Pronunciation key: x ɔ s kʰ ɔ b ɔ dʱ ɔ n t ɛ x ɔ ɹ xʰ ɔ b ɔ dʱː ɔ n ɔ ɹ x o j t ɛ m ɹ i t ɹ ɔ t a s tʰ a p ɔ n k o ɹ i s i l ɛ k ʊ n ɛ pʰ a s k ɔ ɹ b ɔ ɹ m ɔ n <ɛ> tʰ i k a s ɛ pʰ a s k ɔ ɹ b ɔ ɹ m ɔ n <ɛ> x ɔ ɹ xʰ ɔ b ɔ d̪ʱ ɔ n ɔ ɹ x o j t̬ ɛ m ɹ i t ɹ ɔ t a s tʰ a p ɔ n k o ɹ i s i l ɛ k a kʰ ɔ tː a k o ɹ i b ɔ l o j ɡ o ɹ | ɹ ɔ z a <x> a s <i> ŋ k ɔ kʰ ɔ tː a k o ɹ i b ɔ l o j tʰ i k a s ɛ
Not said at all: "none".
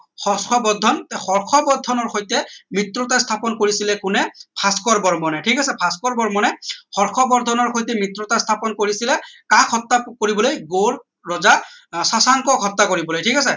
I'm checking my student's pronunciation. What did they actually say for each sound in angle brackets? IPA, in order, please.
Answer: ɛ, ɛ, s, a

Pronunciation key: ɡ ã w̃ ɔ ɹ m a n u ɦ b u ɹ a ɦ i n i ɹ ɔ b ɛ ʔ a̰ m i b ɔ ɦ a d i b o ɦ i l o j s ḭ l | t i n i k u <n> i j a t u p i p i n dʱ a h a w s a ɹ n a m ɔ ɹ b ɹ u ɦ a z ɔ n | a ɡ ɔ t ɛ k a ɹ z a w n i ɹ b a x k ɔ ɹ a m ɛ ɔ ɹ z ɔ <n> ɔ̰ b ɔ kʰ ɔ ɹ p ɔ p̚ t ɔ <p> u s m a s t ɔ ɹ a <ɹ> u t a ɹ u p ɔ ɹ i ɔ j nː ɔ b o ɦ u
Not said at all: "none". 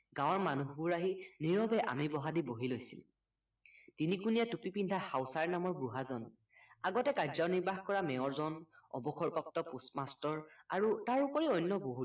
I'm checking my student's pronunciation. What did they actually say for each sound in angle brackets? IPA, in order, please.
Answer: n, n, p, ɹ

